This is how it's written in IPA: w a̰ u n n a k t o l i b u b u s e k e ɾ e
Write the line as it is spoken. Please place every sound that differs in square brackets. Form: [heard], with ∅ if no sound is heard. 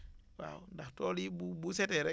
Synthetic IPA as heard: w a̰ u n [d] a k t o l i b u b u s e [t] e ɾ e